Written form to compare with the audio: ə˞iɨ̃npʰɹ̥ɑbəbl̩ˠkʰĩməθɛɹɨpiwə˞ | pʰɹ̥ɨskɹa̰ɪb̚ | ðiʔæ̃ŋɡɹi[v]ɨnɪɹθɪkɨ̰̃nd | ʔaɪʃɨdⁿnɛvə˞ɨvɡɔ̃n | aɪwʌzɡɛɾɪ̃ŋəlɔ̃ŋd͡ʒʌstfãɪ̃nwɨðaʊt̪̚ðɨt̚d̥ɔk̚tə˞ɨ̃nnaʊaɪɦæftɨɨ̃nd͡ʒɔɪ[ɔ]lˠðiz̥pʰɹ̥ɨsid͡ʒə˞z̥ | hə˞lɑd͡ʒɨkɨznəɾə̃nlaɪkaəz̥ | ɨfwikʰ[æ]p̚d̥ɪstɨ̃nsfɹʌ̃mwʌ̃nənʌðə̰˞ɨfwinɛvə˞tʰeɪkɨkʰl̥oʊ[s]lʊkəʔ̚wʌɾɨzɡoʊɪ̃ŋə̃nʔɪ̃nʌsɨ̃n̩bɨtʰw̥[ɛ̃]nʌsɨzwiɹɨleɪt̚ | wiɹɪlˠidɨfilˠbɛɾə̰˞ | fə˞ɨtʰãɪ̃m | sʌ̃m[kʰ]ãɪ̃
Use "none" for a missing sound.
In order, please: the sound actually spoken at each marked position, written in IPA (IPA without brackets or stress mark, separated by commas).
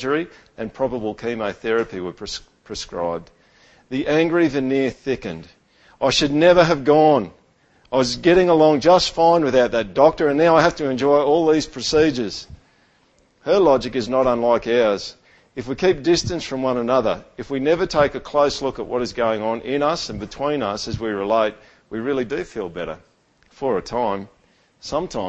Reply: v, ɔ, i, s, ĩ, tʰ